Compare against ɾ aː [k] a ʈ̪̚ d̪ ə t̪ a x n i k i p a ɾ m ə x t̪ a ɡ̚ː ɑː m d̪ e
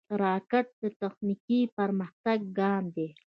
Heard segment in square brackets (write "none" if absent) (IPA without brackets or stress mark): k